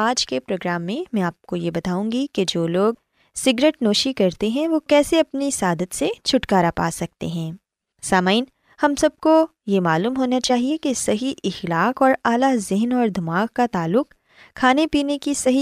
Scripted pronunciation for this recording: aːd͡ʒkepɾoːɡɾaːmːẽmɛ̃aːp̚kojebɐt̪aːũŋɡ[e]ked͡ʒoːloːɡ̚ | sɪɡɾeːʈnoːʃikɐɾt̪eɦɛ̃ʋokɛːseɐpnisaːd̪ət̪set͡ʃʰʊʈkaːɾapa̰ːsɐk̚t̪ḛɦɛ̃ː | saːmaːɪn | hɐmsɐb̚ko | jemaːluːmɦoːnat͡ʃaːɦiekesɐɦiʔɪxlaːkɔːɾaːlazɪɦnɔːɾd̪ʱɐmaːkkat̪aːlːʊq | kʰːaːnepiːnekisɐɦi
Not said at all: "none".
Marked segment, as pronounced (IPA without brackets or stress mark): i